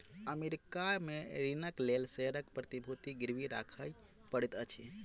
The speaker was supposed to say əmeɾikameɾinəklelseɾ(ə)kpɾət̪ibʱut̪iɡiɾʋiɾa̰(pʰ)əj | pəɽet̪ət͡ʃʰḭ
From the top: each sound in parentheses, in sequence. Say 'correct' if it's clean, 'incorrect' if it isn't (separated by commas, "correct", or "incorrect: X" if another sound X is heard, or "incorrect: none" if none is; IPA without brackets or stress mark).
correct, incorrect: kʰ